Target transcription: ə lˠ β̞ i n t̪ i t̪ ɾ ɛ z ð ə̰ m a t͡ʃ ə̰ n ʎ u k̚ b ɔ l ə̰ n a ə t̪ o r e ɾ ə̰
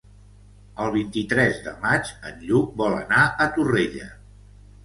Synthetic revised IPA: ə lˠ β̞ i n t̪ i t̪ ɾ ɛ z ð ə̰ m a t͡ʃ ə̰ n ʎ u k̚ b ɔ l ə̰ n a ə t̪ u r e ʎ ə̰